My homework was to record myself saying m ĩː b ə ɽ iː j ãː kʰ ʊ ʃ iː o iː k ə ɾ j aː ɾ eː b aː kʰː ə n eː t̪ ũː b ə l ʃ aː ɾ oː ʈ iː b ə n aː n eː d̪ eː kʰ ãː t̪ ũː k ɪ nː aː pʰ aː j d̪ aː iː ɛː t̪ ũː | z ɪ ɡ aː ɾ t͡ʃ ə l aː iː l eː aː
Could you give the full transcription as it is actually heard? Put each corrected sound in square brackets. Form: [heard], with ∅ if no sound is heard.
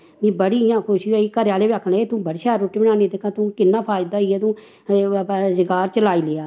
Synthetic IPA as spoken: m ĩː b ə ɽ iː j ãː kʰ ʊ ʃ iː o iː k ə ɾ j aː [l] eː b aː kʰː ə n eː t̪ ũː b ə [ɽ] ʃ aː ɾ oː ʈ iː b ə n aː n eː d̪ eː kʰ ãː t̪ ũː k ɪ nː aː pʰ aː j d̪ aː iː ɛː t̪ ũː | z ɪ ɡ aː ɾ t͡ʃ ə l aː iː l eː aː